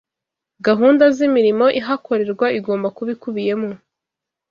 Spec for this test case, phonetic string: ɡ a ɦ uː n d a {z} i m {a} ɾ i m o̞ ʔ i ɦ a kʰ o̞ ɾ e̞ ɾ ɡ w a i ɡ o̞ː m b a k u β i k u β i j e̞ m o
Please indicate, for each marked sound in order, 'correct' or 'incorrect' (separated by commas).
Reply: correct, incorrect